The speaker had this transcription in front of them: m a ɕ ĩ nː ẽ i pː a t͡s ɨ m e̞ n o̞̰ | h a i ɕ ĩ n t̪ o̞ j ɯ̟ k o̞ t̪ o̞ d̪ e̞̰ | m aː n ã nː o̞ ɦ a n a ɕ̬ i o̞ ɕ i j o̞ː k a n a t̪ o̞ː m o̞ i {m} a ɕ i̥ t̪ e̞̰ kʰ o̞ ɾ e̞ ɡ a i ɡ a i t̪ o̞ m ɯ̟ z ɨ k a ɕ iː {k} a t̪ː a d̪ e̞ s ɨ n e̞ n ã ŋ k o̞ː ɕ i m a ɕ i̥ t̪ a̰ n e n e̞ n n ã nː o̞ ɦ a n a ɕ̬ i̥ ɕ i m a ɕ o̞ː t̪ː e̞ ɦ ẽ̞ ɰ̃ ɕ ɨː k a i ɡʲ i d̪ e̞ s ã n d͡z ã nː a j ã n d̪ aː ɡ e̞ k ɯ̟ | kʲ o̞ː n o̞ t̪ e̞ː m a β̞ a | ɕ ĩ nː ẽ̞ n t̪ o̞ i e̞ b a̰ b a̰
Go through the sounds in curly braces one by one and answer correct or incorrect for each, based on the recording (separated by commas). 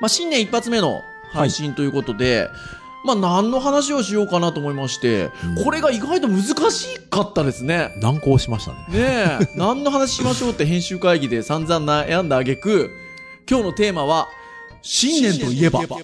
correct, correct